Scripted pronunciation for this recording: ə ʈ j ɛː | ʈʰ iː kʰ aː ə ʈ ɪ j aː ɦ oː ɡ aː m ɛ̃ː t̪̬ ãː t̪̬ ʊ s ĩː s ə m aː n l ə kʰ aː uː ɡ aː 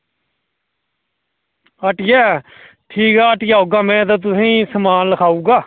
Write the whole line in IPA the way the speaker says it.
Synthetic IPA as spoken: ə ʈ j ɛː | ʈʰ iː k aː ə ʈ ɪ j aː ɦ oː ɡ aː m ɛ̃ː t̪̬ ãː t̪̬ ʊ s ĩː s ə m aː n l ə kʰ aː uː ɡ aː